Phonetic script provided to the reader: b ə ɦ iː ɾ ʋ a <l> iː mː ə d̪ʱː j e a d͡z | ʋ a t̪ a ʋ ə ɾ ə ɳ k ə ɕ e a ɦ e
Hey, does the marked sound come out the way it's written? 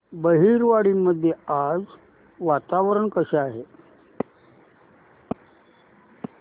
no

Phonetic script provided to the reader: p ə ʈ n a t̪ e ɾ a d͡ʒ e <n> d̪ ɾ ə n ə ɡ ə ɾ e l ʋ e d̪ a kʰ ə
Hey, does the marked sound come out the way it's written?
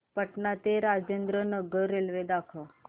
yes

